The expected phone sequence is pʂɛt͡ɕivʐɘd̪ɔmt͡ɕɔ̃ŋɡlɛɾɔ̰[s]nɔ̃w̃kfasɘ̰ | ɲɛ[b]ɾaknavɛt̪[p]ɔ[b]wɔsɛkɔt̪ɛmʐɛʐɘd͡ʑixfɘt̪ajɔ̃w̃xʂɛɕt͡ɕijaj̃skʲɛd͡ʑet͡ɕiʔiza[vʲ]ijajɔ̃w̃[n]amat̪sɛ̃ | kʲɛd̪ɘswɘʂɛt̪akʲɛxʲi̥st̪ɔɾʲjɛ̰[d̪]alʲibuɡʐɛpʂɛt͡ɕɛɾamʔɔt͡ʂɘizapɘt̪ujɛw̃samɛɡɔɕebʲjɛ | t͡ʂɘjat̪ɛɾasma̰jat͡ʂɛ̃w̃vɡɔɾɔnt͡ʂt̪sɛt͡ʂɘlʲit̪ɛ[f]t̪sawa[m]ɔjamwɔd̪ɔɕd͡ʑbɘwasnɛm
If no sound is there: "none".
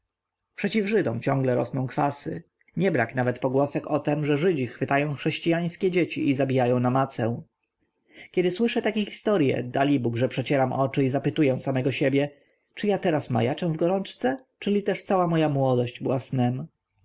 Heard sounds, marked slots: s, b, p, ɡ, bʲ, n, d̪, ʂ, m

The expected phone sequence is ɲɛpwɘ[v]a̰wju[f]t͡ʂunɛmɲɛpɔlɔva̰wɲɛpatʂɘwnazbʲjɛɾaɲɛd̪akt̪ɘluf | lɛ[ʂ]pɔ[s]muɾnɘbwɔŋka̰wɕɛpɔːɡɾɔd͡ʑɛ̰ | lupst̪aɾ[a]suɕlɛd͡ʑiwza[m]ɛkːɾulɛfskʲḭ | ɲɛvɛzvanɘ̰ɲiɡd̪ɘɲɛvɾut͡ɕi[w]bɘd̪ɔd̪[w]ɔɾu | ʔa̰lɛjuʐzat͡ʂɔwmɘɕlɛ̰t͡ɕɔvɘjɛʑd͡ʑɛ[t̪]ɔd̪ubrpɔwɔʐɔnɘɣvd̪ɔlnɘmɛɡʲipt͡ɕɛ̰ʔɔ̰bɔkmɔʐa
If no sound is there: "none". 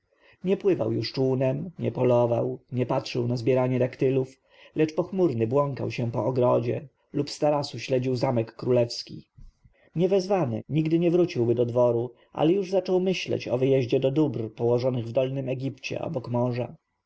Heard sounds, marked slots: v, ʂ, t͡ʂ, x, a, m, w, v, d̪

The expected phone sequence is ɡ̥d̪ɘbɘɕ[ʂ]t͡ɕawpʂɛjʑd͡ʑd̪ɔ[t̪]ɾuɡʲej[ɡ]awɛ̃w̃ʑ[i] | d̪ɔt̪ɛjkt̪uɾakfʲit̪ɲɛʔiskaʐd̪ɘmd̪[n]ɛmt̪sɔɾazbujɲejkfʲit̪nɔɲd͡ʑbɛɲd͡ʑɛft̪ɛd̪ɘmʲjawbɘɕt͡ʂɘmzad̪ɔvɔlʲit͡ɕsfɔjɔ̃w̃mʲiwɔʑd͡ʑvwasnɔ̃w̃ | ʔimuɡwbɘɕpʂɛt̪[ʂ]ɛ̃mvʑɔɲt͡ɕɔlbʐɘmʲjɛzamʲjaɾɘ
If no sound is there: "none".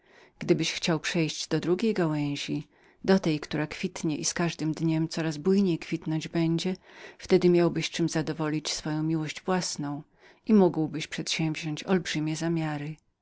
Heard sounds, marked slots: x, d̪, ɡ, i, ɲ, ɕ

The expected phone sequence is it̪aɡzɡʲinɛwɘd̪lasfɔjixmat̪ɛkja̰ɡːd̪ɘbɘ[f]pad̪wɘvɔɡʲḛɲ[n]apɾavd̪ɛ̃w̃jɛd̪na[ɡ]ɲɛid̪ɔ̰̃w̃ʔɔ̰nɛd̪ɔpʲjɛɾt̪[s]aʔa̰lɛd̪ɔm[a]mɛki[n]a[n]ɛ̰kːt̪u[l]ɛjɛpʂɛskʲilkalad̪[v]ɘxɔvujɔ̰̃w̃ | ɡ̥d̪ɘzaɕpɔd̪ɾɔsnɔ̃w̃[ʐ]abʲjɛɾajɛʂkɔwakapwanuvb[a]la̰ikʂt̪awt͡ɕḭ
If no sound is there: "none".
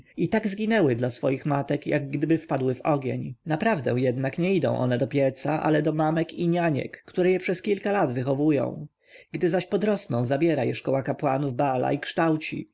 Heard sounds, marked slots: f, n, k, s, a, ɲ, ɲ, ɾ, v, z, a

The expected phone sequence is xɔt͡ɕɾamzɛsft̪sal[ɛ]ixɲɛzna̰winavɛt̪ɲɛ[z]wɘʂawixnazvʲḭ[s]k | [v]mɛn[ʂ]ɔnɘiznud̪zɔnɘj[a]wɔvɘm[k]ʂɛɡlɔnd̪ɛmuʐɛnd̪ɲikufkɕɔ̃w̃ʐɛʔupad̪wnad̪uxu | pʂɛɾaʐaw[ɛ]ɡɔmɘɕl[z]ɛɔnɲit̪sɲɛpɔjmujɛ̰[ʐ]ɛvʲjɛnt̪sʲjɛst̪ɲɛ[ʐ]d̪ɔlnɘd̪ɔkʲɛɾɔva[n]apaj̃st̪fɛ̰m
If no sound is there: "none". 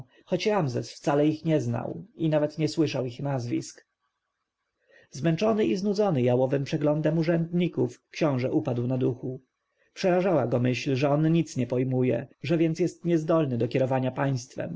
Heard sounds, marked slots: ɛ, s, s, z, t͡ʂ, a, p, a, ʐ, ʐ, z, ɲ

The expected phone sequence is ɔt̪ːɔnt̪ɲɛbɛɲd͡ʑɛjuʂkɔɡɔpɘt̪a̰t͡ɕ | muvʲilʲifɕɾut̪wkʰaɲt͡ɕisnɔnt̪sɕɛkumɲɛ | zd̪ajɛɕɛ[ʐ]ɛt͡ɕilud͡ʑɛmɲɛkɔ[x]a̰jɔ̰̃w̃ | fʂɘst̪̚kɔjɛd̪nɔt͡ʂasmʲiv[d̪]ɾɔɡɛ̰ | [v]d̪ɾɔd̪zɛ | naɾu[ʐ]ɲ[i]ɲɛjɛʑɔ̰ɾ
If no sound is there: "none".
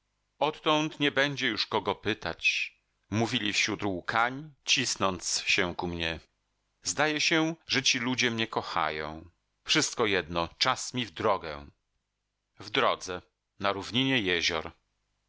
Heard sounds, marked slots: ʐ, x, d̪, v, v, i

